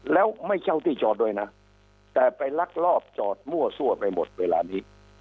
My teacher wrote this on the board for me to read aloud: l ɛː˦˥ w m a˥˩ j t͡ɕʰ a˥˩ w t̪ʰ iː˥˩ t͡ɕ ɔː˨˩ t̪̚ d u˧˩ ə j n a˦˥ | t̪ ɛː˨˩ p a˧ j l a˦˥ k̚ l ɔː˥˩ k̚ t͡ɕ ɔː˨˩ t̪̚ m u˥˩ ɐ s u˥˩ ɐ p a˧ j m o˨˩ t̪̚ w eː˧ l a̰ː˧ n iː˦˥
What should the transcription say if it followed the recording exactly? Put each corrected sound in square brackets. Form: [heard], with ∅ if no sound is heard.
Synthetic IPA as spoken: l ɛː˦˥ w m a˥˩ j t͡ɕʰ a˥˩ w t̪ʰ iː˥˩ t͡ɕ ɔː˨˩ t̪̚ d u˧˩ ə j n a˦˥ | t̪ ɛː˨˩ p a˧ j l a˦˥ k̚ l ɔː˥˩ [p̚] t͡ɕ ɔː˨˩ t̪̚ m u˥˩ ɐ s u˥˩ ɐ p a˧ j m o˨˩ t̪̚ w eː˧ l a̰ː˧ n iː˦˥